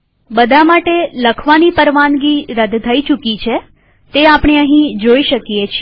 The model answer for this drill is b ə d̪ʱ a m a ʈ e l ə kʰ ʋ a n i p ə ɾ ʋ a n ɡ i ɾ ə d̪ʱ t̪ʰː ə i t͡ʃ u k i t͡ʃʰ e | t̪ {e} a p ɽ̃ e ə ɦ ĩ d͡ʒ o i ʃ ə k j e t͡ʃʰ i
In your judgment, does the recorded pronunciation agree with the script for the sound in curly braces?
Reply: yes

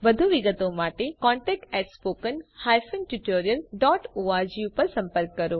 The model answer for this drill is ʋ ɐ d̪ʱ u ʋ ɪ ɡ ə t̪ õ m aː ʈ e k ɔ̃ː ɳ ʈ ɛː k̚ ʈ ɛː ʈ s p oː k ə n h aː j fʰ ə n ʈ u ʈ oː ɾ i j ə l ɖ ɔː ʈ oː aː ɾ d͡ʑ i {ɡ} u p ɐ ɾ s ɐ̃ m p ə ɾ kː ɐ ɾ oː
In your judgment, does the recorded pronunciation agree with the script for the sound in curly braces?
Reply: no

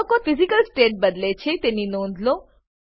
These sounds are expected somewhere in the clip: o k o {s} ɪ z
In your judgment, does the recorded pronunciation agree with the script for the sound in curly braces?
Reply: no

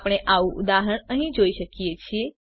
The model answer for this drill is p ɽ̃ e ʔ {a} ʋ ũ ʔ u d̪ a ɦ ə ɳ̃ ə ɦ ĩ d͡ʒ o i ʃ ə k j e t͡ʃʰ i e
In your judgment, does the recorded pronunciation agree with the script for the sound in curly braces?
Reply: yes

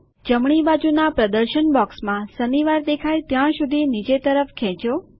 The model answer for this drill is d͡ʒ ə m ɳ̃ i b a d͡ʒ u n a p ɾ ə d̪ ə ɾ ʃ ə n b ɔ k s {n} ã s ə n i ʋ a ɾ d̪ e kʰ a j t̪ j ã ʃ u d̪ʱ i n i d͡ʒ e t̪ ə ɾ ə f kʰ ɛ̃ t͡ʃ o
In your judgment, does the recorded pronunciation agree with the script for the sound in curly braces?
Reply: no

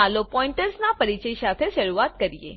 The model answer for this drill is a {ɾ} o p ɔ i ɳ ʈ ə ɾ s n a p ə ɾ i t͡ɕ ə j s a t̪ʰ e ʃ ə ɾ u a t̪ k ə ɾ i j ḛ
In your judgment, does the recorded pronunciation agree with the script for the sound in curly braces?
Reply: no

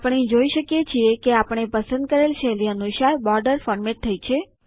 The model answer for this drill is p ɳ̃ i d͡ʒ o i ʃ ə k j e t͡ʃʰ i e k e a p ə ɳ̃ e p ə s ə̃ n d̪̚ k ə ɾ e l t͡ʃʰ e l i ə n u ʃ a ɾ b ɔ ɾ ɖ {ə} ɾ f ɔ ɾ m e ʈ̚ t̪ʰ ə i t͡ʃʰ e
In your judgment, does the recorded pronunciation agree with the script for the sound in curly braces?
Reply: yes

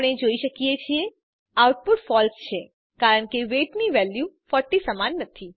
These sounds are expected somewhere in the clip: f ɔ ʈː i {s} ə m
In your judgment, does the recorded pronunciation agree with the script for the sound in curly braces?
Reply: yes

